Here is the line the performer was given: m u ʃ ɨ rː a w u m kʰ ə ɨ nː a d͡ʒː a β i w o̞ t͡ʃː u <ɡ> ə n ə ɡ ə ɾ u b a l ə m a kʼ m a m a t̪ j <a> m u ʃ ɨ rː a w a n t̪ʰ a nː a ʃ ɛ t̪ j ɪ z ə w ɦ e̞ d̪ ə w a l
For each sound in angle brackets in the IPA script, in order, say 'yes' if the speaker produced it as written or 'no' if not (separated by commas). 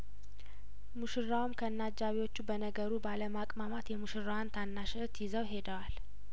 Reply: no, no